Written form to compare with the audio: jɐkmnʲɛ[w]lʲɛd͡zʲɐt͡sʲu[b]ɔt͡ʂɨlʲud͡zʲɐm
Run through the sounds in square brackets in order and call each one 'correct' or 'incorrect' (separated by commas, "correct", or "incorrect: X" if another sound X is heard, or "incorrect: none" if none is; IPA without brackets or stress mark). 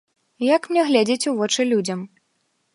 incorrect: ɣ, incorrect: v